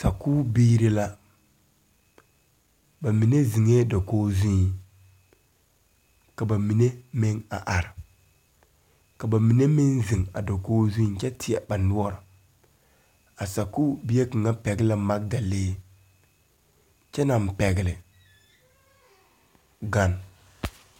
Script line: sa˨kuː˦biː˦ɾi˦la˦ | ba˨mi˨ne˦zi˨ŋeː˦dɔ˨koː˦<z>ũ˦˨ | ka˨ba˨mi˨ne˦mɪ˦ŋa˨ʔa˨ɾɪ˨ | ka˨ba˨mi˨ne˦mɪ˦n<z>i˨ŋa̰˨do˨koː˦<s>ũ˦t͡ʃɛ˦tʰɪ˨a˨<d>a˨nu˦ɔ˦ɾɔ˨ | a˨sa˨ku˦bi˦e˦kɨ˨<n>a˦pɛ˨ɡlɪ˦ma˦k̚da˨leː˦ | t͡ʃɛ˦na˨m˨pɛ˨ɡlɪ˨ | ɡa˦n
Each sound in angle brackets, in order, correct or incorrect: correct, correct, incorrect: z, incorrect: b, incorrect: ŋ

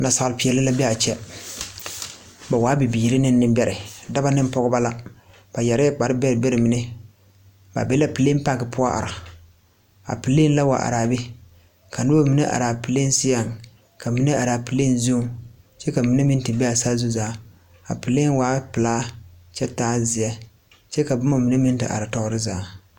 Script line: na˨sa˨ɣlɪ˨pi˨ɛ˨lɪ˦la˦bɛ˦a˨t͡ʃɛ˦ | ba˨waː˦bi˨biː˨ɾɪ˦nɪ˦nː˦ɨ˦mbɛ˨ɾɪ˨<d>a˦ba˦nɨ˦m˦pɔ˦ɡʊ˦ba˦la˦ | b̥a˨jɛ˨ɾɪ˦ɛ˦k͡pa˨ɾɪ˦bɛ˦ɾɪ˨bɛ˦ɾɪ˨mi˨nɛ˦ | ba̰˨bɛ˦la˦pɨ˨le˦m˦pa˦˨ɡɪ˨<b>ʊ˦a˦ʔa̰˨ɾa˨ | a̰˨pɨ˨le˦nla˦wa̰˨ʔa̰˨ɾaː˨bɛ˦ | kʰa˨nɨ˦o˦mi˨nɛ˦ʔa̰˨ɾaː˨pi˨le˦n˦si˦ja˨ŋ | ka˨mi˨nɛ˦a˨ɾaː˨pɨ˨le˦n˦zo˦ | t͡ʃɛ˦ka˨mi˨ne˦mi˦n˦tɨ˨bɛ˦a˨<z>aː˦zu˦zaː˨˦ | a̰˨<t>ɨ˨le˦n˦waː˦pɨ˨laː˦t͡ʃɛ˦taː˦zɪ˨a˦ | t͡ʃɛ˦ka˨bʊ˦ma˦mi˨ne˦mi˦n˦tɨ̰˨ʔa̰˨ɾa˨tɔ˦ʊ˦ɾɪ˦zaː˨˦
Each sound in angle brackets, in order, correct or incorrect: correct, incorrect: p, incorrect: s, incorrect: p

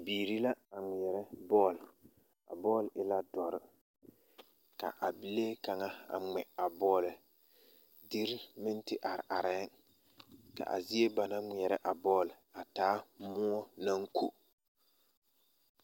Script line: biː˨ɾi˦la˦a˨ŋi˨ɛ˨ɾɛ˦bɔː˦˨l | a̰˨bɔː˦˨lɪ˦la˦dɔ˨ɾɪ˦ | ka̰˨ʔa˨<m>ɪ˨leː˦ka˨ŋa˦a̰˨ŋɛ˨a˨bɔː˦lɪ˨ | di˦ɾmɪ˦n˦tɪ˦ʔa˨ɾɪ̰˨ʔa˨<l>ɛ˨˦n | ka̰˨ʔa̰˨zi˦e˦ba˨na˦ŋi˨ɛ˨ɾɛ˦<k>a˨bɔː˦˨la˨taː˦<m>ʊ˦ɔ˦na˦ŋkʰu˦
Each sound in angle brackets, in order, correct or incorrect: incorrect: b, incorrect: ɾ, incorrect: ʔ, correct

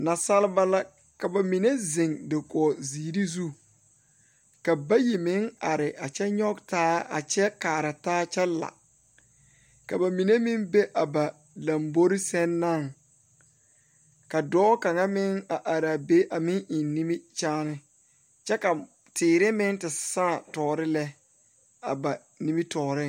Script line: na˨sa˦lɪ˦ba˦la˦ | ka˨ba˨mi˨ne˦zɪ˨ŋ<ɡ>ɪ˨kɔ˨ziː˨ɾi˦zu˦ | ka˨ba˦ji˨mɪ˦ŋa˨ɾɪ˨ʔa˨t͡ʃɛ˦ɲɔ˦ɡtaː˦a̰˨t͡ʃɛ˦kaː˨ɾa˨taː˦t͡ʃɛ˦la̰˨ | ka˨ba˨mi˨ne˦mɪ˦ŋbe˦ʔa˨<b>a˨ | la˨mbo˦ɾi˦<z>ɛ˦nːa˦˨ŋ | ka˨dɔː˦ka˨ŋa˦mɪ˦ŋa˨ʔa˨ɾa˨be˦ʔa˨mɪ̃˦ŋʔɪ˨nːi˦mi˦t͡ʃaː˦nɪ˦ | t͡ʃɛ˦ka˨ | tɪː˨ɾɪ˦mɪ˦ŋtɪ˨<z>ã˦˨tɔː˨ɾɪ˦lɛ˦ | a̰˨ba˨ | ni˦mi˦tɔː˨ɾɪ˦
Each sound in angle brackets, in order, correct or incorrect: incorrect: d, correct, incorrect: s, incorrect: s

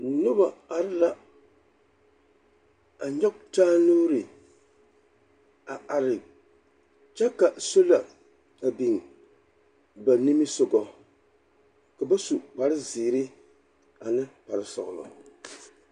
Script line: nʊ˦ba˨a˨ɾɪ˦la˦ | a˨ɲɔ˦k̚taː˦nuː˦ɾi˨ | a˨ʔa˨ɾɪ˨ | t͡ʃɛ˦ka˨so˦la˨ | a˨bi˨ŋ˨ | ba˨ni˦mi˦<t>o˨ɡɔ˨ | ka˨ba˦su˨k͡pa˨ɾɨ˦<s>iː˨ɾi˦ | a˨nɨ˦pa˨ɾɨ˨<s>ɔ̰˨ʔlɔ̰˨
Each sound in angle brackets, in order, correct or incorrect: incorrect: s, incorrect: z, correct

